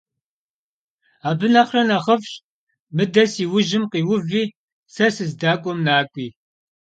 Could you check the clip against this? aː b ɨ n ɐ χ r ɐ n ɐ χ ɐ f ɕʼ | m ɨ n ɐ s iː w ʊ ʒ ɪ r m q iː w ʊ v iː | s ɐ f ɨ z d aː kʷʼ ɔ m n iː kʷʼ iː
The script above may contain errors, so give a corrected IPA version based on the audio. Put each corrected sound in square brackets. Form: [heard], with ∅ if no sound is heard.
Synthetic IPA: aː b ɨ n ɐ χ r ɐ n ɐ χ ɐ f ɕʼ | m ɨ [d] ɐ s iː w ʊ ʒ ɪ [∅] m q iː w ʊ v iː | s ɐ [s] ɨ z d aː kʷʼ ɔ m n [aː] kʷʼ iː